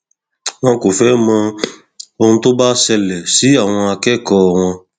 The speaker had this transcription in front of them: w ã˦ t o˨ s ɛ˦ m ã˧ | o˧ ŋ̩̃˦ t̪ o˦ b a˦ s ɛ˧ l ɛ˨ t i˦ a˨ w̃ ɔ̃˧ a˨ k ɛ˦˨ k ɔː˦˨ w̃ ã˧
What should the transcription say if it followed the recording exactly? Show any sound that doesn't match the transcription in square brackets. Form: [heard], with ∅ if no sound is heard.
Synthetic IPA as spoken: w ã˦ [k] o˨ [f] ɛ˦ m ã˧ | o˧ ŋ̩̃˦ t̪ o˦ b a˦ s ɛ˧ l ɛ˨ [s] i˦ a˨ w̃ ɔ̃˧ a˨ k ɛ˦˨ k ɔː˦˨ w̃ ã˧

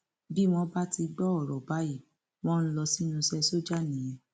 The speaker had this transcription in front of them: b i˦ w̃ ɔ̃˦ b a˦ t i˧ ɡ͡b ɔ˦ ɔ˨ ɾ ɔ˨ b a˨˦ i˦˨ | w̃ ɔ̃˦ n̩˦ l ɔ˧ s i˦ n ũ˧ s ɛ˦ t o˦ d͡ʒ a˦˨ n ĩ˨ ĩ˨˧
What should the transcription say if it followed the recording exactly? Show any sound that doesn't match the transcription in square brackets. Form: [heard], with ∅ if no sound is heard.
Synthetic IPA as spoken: b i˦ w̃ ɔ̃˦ b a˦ t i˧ ɡ͡b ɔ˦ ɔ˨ ɾ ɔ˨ b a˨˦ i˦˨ | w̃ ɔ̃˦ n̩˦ l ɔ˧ s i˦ n ũ˧ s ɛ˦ [s] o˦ d͡ʒ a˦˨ n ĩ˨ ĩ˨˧

